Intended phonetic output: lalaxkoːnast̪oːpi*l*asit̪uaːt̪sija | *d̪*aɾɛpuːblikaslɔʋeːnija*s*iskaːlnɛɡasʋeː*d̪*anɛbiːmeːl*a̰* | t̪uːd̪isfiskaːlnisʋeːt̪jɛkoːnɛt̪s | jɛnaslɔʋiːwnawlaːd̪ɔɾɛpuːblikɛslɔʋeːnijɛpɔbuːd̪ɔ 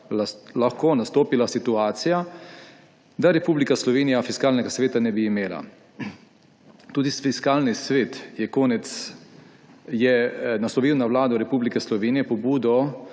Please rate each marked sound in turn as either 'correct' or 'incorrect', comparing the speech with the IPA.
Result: correct, correct, incorrect, incorrect, correct

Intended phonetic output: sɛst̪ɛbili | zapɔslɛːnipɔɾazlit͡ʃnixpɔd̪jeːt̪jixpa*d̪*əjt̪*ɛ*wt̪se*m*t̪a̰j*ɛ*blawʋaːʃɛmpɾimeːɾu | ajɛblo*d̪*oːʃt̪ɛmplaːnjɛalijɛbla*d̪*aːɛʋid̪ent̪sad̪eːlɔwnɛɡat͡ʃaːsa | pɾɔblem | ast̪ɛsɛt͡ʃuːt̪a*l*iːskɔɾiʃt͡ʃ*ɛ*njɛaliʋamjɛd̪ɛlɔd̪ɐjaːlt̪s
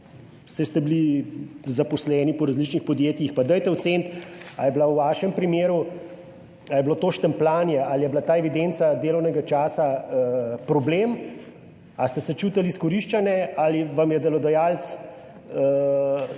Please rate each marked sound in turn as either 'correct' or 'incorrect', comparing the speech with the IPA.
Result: correct, correct, incorrect, correct, incorrect, incorrect, correct, incorrect

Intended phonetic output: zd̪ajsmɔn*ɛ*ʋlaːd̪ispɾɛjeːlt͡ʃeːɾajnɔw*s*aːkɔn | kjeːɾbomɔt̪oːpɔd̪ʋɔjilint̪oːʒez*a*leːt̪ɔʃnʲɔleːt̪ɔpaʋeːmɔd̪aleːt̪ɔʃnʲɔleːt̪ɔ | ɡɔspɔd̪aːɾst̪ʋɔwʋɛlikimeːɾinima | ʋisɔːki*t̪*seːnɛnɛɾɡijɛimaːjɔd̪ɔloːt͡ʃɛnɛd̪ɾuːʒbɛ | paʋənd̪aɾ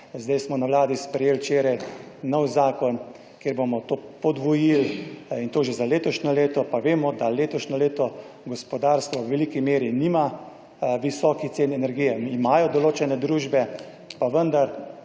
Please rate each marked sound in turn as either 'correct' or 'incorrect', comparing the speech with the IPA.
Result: incorrect, incorrect, correct, correct

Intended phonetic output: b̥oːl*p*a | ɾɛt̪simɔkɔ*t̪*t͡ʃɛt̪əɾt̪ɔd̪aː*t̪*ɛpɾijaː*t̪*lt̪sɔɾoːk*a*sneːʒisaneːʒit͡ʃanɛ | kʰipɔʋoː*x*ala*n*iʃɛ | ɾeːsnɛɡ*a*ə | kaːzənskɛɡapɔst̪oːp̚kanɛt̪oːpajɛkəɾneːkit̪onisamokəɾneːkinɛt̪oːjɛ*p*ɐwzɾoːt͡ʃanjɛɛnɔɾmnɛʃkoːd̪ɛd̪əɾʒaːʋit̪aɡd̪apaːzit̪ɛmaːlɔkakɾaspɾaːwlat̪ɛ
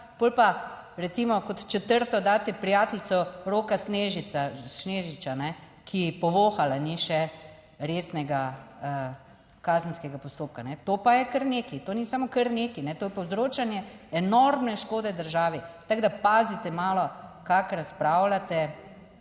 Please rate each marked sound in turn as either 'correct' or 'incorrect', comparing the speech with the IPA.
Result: correct, correct, correct, correct, correct, correct, correct, correct, correct

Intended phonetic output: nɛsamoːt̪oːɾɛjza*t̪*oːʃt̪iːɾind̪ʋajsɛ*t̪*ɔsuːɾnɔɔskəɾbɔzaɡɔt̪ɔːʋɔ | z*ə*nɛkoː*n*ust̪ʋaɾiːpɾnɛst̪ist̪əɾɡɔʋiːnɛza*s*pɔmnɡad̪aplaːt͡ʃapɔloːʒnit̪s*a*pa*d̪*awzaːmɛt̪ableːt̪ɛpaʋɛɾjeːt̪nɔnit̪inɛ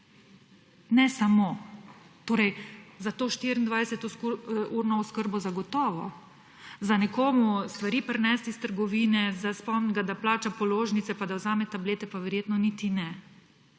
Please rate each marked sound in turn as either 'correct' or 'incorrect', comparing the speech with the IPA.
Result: correct, correct, incorrect, incorrect, correct, incorrect, correct

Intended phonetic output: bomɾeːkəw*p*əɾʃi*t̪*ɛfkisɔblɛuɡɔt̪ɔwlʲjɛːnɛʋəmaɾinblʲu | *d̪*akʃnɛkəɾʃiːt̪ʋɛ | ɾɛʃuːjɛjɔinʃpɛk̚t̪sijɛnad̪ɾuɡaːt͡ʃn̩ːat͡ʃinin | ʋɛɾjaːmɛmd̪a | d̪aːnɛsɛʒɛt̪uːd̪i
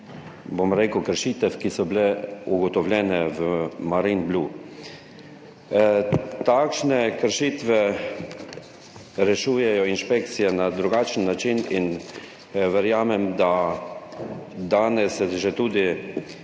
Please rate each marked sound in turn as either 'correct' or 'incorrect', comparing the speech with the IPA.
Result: incorrect, correct, incorrect

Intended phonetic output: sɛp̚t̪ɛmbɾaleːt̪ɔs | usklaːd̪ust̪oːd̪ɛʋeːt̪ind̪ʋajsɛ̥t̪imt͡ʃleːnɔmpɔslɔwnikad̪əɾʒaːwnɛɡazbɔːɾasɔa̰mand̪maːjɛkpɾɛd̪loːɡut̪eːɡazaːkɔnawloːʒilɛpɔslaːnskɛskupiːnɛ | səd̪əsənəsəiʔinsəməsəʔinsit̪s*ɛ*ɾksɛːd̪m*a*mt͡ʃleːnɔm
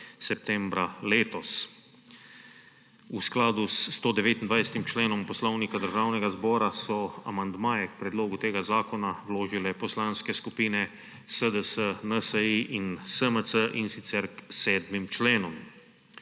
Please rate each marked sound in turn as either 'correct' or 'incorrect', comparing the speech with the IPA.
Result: correct, incorrect

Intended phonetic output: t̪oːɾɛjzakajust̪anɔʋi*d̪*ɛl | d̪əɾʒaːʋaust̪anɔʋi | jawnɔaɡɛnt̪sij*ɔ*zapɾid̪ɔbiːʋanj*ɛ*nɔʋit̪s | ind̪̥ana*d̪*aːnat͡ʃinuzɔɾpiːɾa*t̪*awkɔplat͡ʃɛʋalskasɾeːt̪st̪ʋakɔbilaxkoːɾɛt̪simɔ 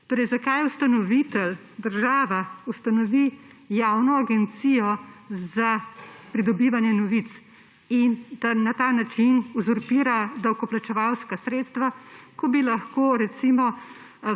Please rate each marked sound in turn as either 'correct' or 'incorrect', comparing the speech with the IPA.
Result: incorrect, correct, correct, incorrect, incorrect

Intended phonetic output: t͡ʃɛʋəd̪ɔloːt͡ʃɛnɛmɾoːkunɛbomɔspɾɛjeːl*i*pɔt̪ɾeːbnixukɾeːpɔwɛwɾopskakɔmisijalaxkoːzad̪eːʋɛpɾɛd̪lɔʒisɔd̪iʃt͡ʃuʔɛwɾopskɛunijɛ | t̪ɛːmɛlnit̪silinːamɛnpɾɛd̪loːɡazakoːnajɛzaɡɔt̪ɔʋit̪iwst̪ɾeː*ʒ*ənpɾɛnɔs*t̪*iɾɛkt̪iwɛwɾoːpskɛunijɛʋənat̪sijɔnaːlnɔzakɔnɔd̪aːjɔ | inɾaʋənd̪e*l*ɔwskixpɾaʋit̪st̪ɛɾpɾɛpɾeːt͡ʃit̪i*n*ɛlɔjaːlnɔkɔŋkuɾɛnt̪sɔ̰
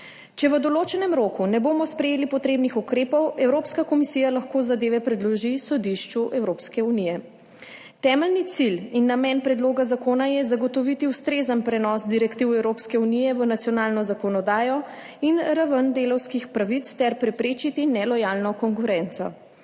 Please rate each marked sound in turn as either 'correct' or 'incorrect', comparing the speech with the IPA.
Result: correct, incorrect, incorrect, correct, correct

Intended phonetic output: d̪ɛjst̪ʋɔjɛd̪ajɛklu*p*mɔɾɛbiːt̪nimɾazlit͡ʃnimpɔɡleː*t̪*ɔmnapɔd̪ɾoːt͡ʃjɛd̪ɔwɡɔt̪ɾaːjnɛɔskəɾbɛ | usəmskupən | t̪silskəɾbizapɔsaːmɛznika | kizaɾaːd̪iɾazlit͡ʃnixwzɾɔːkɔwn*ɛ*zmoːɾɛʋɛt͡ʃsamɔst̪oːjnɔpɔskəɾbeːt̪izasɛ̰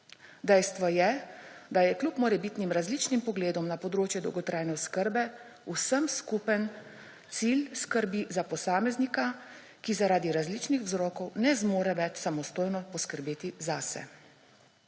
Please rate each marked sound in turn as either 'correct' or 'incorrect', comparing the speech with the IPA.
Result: correct, incorrect, correct

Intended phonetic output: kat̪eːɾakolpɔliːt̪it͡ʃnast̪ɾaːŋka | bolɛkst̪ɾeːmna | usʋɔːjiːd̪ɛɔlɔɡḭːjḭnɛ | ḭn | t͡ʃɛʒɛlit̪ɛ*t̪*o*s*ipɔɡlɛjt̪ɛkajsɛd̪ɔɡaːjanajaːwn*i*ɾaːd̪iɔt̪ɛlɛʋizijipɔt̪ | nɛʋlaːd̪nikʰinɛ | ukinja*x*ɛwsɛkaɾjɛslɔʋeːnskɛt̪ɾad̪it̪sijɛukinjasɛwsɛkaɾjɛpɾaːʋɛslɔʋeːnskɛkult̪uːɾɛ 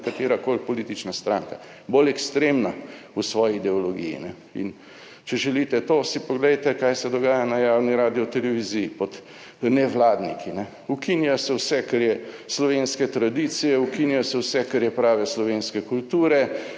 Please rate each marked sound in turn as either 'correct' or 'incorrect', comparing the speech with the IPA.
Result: correct, correct, correct, incorrect

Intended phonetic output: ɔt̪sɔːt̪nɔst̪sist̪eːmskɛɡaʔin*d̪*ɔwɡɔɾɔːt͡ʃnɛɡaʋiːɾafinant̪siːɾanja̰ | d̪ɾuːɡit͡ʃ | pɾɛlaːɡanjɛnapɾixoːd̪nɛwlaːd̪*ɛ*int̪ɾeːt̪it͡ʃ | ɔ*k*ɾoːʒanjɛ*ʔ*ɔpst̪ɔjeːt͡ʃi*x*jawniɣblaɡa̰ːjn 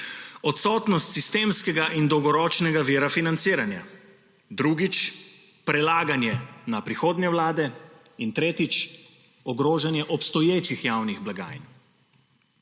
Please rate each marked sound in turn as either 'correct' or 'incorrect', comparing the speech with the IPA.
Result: correct, correct, incorrect, correct, correct

